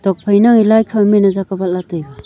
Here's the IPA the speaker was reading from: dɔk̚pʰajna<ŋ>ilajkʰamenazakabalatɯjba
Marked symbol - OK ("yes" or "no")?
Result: yes